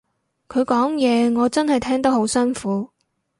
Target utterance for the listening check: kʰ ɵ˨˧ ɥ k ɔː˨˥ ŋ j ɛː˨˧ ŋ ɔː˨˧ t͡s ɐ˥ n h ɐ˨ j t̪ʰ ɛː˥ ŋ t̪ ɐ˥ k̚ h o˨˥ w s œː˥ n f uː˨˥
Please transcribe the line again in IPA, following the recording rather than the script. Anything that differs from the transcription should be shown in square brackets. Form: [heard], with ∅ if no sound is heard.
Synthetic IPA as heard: kʰ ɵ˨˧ ɥ k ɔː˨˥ ŋ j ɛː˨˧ ŋ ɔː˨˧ t͡s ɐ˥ n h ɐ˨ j t̪ʰ ɛː˥ ŋ t̪ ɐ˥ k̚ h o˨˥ w s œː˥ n f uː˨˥